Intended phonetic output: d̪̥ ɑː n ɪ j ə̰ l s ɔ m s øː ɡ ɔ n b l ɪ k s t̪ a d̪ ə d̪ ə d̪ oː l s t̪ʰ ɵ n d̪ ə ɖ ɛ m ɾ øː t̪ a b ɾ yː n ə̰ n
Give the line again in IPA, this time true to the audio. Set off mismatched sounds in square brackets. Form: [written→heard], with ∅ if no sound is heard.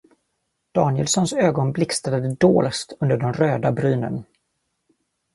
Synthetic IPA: d̪̥ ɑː n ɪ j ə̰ l s ɔ [m→n] s øː ɡ ɔ n b l ɪ k s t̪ a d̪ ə d̪ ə d̪ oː l s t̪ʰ ɵ n d̪ ə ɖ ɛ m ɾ øː [t̪→d̪] a b ɾ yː n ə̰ n